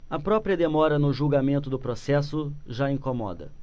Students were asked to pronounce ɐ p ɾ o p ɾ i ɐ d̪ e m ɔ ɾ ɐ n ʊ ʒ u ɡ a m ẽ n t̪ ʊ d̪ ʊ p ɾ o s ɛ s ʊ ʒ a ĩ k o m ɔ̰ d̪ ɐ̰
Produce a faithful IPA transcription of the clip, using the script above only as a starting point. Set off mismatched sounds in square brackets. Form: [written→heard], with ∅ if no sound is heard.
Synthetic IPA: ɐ p ɾ [o→ɔ] p ɾ i ɐ d̪ e m ɔ ɾ ɐ n ʊ ʒ u ɡ a m ẽ n t̪ ʊ d̪ ʊ p ɾ o s ɛ s ʊ ʒ a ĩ k o m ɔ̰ d̪ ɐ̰